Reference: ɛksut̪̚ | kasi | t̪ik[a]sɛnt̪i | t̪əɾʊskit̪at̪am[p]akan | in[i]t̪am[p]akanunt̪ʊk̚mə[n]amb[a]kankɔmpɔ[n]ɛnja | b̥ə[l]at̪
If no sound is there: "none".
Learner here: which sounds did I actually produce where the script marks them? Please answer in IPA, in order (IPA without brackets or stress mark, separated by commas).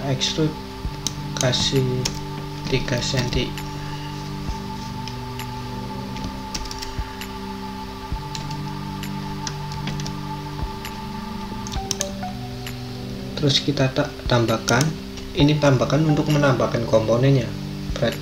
a, b, i, b, n, a, n, ɾ